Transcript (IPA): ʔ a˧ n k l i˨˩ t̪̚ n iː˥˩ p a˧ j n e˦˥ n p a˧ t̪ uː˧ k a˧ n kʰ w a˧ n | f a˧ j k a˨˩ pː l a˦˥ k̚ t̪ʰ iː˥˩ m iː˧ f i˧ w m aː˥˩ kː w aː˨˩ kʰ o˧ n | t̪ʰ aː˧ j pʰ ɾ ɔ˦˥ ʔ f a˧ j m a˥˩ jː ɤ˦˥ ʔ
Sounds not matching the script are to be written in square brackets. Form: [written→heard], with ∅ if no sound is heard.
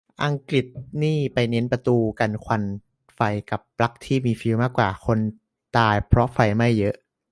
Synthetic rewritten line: ʔ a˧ [n→ŋ] k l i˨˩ t̪̚ n iː˥˩ p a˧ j n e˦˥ n p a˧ t̪ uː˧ k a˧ n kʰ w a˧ n | f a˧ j k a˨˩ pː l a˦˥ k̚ t̪ʰ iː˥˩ m iː˧ f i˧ w m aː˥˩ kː w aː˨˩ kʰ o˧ n | [t̪ʰ→t̪] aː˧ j pʰ ɾ ɔ˦˥ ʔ f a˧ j m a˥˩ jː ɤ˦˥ ʔ